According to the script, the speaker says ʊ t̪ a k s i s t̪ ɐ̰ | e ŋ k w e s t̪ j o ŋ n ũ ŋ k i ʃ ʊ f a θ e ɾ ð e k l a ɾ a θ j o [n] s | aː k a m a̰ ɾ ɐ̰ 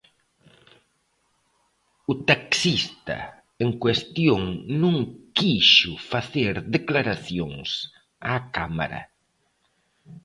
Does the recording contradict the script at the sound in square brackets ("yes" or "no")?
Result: yes